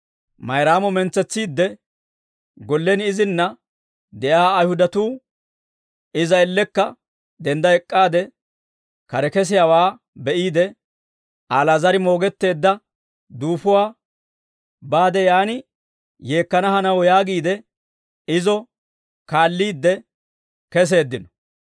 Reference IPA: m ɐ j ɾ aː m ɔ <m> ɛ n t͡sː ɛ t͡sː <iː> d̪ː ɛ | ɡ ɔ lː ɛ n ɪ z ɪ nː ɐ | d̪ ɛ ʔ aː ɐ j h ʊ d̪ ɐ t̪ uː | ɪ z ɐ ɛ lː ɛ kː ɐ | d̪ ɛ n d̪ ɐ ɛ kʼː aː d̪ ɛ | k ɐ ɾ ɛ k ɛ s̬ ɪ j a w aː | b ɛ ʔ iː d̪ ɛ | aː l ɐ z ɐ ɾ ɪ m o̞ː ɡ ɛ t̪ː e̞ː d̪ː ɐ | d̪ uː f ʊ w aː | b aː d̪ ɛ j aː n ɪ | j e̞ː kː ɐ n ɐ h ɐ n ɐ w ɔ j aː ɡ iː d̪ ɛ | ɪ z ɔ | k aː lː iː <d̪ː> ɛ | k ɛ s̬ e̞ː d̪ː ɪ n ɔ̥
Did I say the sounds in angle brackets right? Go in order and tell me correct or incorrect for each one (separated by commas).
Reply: correct, correct, correct